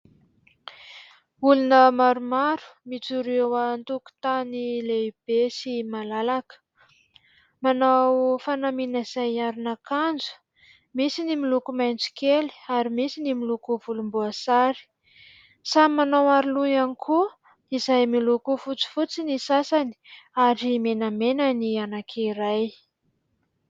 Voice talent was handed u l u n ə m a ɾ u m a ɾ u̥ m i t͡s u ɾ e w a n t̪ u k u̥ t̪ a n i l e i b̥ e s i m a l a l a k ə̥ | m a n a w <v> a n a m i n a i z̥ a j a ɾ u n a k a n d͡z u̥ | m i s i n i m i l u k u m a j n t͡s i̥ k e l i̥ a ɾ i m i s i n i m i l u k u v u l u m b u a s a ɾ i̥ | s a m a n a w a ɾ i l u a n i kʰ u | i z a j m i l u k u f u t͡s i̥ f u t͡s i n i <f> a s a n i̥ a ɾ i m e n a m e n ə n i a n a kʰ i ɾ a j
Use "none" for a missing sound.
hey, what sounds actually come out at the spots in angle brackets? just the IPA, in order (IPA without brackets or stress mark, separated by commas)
f, s